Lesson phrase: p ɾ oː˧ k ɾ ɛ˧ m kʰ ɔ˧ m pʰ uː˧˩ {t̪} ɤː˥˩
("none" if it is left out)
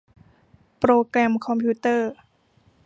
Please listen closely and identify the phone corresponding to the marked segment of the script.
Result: t̪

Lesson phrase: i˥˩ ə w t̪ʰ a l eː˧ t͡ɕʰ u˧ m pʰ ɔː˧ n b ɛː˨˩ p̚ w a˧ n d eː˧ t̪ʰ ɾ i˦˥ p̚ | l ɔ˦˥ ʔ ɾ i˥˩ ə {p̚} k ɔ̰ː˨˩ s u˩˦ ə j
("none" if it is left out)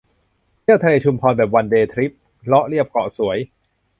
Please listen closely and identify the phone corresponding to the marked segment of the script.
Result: p̚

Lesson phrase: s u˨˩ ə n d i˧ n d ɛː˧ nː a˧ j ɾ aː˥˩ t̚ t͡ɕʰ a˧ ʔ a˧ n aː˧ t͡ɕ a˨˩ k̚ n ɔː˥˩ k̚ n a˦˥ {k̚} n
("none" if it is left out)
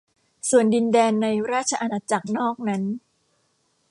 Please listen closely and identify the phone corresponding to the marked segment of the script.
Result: none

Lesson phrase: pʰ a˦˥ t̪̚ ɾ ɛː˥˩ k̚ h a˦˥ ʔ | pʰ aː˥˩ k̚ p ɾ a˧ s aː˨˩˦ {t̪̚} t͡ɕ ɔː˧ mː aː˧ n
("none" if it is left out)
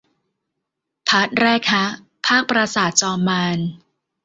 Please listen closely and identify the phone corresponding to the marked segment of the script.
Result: t̪̚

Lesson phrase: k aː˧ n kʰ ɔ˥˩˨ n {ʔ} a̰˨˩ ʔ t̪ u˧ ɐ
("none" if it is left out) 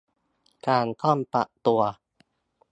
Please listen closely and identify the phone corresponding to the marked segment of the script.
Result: p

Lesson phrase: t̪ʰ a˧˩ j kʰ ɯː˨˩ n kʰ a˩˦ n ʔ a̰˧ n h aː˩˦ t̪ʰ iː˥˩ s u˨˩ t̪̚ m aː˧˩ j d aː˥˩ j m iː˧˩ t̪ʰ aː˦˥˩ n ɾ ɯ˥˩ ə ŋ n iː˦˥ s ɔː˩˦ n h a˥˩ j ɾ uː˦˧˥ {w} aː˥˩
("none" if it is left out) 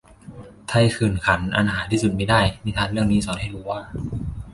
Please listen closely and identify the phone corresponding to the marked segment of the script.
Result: w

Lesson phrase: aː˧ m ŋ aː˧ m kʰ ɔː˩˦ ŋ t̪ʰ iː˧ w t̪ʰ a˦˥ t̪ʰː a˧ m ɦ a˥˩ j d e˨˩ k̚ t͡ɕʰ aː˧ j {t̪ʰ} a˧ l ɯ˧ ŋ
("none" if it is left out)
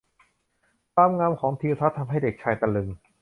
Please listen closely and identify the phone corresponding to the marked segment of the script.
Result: t̪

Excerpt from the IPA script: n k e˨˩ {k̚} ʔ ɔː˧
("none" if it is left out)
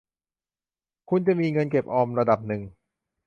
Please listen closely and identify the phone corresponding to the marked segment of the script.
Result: p̚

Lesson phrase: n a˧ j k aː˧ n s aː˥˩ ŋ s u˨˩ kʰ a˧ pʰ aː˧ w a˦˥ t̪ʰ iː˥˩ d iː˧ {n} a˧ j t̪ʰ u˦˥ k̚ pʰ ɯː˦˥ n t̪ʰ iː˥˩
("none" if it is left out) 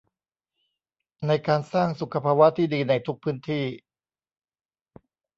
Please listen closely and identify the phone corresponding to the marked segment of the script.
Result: n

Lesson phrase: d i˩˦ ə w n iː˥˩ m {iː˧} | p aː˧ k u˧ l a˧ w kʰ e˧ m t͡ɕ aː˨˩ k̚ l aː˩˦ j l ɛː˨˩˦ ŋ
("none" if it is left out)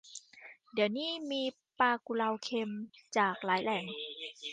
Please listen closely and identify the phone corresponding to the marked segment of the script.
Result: iː˧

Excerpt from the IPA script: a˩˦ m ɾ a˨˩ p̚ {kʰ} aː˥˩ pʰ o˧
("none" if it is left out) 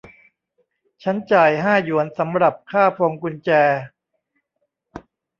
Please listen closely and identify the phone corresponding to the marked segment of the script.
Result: kʰ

